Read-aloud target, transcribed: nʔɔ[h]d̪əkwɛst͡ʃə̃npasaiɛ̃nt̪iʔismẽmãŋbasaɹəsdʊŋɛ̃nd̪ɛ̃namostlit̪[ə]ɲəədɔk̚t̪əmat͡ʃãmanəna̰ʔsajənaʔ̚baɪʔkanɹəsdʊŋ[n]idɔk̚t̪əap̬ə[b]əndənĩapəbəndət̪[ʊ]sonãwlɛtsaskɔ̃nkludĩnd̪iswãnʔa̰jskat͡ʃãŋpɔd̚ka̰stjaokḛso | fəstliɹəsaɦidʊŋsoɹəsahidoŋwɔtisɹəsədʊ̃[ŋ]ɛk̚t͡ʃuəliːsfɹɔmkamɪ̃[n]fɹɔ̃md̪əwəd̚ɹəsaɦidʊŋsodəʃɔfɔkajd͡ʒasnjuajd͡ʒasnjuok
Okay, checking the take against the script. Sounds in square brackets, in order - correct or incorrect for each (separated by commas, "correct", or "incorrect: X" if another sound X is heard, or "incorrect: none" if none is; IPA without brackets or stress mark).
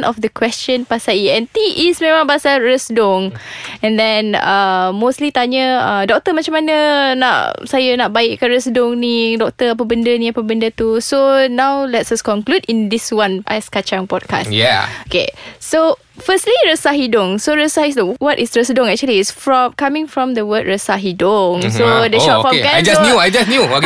incorrect: f, incorrect: a, correct, correct, incorrect: u, correct, incorrect: ŋ